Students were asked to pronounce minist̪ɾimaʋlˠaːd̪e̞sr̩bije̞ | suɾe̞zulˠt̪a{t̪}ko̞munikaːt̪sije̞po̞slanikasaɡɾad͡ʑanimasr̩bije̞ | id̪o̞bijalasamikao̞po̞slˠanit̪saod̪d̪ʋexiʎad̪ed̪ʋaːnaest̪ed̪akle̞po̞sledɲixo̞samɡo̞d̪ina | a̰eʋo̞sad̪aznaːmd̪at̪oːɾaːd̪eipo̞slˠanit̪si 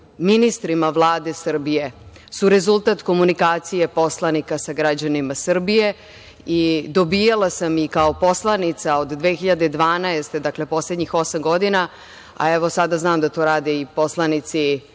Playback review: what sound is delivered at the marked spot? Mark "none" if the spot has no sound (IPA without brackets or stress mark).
t̪